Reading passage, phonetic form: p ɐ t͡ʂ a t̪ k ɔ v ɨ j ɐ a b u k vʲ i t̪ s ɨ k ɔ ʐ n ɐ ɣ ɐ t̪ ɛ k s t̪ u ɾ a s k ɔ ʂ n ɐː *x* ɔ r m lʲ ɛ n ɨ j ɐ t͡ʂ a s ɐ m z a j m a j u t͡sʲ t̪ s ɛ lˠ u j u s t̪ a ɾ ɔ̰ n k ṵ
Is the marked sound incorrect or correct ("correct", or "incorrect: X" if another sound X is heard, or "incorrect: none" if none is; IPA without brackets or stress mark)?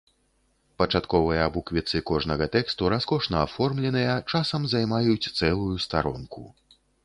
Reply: incorrect: f